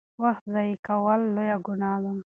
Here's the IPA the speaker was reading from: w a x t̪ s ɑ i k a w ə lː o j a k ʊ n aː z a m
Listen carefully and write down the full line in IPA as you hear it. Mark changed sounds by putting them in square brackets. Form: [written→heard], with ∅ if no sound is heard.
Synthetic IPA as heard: w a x t̪ [s→z] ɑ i k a w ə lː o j a [k→ɡ] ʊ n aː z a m